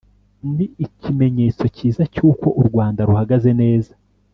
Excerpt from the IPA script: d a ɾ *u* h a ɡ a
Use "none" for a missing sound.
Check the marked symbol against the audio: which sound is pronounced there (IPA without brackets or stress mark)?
u